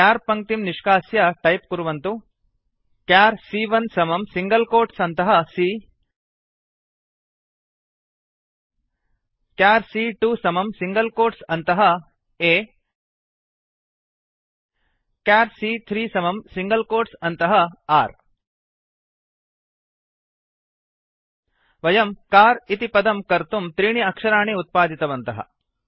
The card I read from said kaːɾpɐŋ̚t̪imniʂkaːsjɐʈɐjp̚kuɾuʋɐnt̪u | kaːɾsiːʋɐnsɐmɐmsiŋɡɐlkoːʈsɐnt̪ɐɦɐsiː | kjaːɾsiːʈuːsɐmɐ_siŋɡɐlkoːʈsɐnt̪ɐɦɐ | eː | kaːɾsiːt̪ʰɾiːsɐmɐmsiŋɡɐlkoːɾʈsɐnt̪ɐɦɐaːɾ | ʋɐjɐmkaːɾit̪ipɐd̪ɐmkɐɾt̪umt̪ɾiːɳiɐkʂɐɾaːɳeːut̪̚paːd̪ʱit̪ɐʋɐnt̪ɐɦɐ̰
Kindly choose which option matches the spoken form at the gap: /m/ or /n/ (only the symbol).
m